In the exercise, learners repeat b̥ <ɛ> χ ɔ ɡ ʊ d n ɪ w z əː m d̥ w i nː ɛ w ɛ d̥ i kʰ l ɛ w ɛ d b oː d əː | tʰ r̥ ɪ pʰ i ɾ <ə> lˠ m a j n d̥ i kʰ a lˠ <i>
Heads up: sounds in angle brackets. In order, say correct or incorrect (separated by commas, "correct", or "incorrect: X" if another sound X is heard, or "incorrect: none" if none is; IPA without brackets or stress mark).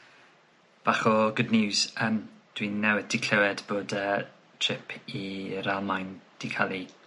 incorrect: a, incorrect: a, correct